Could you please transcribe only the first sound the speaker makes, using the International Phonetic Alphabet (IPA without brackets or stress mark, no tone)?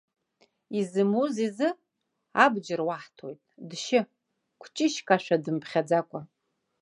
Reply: i